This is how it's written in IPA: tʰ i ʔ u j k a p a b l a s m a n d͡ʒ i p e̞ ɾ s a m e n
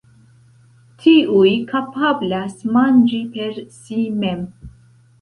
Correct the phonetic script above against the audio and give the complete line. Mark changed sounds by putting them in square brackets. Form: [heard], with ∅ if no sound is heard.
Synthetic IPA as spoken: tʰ i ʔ u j k a p a b l a s m a n d͡ʒ i p e̞ ɾ s [i] m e [m]